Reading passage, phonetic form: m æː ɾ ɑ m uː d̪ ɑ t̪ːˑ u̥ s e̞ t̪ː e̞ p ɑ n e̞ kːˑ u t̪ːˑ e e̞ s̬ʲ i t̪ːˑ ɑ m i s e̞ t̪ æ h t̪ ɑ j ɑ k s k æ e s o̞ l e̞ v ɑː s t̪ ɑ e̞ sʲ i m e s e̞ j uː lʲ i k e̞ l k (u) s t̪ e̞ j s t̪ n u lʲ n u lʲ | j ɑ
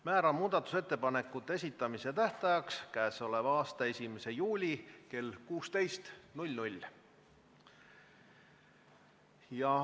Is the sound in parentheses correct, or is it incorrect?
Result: incorrect